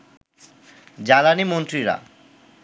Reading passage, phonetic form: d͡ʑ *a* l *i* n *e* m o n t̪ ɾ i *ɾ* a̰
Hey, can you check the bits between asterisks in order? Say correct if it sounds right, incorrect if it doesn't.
correct, incorrect: a, incorrect: i, correct

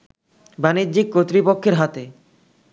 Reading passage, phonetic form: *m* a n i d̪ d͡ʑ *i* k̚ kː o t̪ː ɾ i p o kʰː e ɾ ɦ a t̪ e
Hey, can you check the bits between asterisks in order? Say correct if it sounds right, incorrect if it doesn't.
incorrect: b, correct

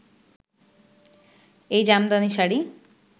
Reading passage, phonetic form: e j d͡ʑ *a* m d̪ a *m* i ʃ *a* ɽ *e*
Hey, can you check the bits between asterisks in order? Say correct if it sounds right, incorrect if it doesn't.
correct, incorrect: n, correct, incorrect: i

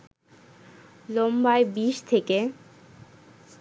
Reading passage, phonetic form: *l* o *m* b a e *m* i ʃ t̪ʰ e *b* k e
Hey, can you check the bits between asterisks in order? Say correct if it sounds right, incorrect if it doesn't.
correct, correct, incorrect: b, incorrect: none

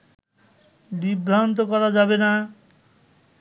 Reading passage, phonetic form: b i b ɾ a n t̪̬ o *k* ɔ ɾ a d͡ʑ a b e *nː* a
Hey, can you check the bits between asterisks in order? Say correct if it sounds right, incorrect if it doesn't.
correct, incorrect: n

